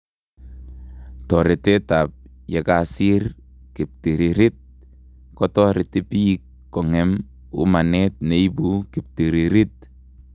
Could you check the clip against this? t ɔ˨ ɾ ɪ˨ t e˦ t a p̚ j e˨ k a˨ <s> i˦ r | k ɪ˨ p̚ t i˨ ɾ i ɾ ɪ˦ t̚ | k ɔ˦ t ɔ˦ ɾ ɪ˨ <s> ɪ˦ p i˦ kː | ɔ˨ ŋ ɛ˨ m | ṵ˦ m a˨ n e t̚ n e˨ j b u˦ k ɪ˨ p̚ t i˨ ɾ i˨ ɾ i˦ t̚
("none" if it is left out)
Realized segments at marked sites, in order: s, t

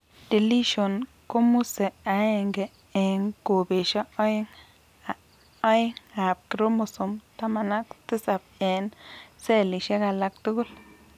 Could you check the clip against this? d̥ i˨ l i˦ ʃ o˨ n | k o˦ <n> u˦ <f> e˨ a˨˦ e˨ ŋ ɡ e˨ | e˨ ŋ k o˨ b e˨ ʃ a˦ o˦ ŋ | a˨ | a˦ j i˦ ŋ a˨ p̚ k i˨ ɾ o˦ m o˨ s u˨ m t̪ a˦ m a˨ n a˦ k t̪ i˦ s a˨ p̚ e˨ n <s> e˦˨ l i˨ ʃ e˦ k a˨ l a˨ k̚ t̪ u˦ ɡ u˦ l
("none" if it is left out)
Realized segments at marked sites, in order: m, s, s

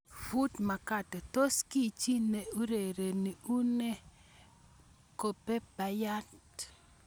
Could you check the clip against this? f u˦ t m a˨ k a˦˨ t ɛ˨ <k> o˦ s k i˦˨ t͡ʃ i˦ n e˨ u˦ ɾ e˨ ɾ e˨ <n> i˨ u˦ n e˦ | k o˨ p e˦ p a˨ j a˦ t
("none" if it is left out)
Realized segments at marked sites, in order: t, n

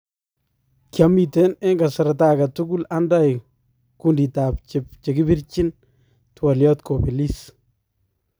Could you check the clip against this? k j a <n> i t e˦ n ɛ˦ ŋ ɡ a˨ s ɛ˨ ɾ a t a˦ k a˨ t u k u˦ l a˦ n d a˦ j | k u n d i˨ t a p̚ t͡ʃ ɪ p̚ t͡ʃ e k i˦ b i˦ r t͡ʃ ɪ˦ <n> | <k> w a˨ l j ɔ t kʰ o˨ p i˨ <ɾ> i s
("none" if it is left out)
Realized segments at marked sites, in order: m, n, t, l

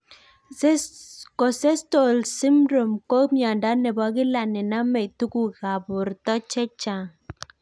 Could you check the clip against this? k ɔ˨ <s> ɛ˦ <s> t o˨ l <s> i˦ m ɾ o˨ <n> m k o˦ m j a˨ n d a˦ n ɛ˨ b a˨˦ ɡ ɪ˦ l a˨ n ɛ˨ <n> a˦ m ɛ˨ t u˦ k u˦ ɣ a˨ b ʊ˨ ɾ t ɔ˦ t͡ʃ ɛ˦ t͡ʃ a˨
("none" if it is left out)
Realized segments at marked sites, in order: s, s, s, none, n

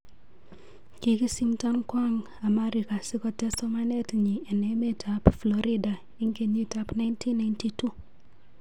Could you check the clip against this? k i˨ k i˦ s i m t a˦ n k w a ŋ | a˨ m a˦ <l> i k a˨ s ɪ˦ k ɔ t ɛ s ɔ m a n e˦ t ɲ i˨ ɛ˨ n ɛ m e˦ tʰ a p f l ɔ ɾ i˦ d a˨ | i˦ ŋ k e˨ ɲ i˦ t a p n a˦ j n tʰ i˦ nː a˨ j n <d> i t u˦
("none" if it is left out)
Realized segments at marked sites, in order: ɾ, t

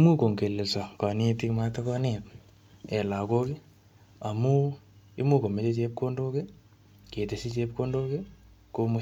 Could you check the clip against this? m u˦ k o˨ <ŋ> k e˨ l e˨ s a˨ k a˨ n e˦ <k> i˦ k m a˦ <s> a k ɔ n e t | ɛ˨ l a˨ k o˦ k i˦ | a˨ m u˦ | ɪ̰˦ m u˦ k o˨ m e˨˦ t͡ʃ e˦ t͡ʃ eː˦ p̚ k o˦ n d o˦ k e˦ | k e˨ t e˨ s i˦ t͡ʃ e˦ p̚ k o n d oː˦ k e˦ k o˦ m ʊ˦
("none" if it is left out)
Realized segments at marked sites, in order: ŋ, t, t

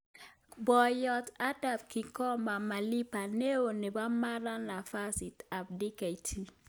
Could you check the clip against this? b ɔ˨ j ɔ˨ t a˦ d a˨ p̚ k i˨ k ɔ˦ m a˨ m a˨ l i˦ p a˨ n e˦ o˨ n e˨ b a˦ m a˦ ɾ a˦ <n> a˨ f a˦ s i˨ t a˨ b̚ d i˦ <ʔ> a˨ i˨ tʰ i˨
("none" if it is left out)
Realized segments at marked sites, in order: n, k

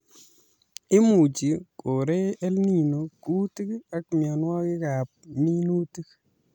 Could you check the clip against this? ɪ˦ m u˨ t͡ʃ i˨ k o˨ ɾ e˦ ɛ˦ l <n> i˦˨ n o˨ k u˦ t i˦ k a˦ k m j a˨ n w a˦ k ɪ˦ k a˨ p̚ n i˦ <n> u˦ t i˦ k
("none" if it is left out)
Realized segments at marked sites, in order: n, n

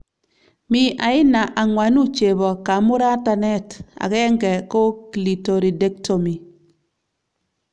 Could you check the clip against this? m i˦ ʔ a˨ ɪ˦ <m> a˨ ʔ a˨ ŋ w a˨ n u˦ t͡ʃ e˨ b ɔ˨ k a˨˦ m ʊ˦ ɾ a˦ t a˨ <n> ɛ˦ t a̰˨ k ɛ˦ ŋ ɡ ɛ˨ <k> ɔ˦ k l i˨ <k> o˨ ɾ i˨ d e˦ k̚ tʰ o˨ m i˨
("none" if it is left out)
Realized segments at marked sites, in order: n, n, k, t

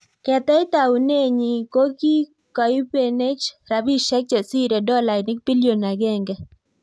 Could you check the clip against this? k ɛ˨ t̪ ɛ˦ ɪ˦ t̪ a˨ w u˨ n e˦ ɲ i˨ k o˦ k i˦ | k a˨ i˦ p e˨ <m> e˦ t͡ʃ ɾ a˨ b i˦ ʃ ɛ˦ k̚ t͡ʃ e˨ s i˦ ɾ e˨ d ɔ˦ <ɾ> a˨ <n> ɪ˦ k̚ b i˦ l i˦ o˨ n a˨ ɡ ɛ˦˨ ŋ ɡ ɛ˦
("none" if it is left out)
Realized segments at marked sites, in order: n, l, n

